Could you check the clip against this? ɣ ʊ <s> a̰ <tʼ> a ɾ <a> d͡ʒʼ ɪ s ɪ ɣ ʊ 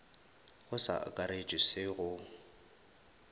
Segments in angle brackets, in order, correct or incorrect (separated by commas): correct, incorrect, incorrect